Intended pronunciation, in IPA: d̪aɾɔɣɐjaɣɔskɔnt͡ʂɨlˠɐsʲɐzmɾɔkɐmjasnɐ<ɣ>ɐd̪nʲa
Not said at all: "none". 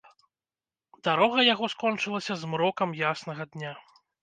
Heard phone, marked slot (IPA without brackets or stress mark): ɣ